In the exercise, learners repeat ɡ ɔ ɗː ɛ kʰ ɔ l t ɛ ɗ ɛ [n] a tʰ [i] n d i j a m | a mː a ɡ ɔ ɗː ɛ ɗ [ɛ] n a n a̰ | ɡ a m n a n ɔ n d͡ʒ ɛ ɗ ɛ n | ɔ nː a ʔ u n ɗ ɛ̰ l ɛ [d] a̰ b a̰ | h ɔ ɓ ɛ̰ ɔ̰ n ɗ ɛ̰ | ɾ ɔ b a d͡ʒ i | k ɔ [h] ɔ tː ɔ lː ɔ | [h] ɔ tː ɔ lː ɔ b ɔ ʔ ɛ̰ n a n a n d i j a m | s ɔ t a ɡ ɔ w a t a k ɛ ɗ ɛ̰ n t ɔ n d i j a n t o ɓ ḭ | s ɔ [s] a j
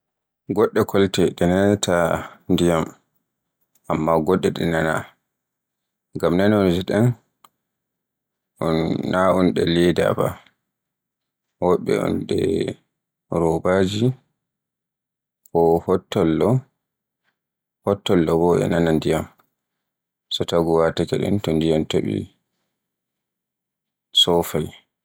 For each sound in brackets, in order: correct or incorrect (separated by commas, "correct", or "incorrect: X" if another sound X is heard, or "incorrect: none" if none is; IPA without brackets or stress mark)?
correct, incorrect: a, correct, correct, correct, correct, incorrect: f